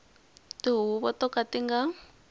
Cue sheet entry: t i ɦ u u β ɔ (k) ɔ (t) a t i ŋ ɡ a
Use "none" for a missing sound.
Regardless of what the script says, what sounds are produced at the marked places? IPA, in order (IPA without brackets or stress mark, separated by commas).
t, k